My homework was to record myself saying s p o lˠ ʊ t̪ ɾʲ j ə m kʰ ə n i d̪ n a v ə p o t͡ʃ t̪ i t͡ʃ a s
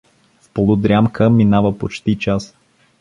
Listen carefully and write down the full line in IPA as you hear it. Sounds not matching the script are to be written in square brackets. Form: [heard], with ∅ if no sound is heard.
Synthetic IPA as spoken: [f] p o lˠ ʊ [d̪] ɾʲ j [a] m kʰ ə [m] i [∅] n a v ə p o t͡ʃ t̪ i t͡ʃ a s